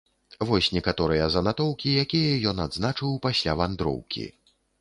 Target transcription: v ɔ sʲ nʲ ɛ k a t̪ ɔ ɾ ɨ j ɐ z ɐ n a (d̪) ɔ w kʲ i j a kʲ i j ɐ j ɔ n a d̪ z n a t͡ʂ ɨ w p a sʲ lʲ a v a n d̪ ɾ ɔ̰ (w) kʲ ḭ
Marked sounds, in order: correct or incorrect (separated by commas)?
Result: incorrect, correct